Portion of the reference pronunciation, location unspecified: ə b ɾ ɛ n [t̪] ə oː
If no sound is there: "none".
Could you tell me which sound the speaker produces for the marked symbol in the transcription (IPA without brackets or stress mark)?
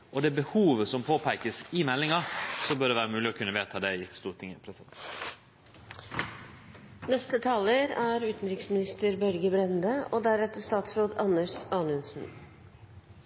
d̪